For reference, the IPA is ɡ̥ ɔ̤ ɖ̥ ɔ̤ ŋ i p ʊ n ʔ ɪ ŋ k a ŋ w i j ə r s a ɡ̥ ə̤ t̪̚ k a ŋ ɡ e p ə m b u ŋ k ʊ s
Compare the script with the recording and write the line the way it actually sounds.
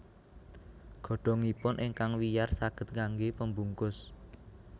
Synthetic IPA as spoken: ɡ̥ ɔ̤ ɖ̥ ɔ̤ ŋ i p ʊ n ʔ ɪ ŋ k a ŋ w i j a r s a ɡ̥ ə̤ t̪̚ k a ŋ ɡ e p ə m b u ŋ k ʊ s